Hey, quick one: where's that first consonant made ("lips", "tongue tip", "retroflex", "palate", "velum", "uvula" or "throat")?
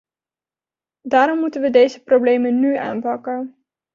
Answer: tongue tip